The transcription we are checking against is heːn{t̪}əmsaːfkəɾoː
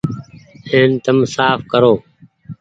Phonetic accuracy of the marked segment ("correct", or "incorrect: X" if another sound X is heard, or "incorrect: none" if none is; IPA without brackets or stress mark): correct